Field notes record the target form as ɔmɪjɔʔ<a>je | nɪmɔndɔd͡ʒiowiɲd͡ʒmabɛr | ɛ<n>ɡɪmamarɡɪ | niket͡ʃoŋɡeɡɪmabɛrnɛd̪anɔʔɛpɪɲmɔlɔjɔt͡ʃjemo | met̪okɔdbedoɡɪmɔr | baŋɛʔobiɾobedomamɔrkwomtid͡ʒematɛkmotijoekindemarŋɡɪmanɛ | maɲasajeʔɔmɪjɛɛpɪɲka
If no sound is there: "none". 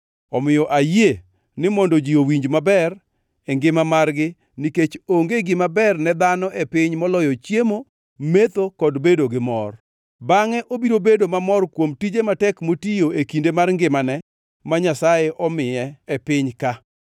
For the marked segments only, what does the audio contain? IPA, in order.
a, ŋ

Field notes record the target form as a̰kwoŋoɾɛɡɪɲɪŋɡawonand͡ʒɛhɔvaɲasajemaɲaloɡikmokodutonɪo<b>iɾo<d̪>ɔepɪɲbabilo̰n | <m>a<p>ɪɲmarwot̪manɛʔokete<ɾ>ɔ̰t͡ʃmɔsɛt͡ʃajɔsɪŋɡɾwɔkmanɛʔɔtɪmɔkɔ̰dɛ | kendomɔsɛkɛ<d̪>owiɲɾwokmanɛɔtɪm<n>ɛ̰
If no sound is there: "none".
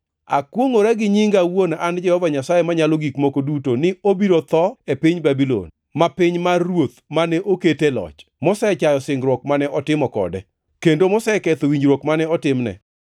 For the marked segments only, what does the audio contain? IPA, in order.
b, t̪, m, p, l, t̪, n

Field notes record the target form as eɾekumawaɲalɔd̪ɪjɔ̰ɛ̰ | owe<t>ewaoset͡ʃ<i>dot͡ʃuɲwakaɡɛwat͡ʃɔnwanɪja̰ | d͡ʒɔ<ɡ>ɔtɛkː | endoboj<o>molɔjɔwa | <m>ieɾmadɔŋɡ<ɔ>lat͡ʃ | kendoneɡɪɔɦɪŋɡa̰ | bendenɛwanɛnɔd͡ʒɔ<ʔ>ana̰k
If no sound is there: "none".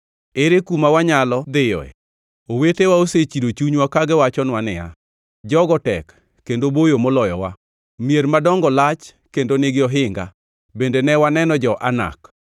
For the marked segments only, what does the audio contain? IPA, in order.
t, i, ɡ, o, m, ɔ, ʔ

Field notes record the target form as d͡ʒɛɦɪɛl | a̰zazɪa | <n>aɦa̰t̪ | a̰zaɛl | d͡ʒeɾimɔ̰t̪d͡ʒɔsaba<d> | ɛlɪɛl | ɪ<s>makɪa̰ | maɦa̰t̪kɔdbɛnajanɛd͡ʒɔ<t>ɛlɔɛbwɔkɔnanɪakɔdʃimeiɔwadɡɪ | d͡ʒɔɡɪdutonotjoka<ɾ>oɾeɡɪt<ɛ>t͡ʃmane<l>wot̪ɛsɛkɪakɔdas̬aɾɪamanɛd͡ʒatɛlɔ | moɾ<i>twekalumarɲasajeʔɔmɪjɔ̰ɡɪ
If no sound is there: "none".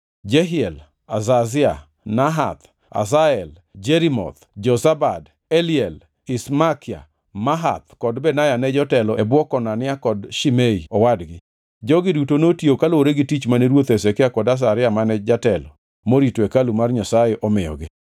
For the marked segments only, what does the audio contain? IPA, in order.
n, d, s, t, l, i, ɾ, i

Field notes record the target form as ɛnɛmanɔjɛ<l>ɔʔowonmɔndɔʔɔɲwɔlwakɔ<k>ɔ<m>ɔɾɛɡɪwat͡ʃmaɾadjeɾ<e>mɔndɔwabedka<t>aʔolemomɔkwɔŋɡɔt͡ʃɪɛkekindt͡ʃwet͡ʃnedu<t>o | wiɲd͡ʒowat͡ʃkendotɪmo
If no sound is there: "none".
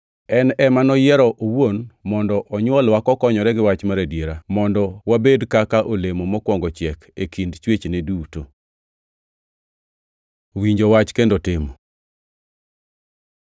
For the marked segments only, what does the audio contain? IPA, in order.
ɾ, k, ɲ, a, k, t

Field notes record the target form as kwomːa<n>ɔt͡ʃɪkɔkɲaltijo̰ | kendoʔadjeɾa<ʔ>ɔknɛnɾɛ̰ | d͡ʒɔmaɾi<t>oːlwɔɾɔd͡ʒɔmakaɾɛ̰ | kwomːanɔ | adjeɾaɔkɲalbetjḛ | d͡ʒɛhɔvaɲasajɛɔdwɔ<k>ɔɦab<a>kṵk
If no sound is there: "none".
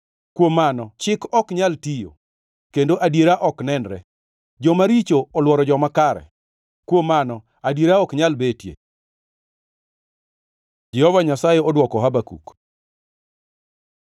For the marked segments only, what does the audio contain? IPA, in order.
n, ʔ, t͡ʃ, k, a

